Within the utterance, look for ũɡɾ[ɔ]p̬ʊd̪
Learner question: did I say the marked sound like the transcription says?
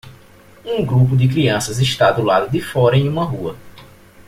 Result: no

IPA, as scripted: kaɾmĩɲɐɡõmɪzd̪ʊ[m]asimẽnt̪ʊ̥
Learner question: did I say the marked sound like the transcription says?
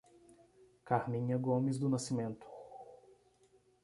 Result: no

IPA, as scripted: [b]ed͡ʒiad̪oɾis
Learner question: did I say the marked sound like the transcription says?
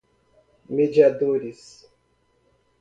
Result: no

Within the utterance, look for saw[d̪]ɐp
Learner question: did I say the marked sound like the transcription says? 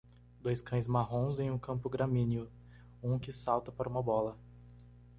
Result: no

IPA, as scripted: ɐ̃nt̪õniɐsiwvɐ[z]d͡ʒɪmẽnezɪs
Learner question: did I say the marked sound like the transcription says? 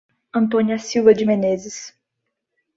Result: no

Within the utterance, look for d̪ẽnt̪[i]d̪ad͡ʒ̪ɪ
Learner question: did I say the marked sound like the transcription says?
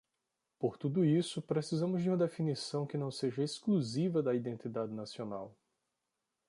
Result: yes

